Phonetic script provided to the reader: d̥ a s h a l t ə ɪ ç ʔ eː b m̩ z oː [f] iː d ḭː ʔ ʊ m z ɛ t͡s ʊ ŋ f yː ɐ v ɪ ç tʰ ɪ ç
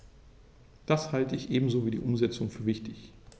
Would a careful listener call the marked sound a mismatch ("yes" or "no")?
yes